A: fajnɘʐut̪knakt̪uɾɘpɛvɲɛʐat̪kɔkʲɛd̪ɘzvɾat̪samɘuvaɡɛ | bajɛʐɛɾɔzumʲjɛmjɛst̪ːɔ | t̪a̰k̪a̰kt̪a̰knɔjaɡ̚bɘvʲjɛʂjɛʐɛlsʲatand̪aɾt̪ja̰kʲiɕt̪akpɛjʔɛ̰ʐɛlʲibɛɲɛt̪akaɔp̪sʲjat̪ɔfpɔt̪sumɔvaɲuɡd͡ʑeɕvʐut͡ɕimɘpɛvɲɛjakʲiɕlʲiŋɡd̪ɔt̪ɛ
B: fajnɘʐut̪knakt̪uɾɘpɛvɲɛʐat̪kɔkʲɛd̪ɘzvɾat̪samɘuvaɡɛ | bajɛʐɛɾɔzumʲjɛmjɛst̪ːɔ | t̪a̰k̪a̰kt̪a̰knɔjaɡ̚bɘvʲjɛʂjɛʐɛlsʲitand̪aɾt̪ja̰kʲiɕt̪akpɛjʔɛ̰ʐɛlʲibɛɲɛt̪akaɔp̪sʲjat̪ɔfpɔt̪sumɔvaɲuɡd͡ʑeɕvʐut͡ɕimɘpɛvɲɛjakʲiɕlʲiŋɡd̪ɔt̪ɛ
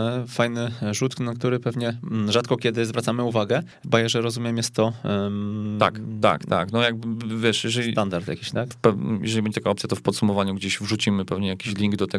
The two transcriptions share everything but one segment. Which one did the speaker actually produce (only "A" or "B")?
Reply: B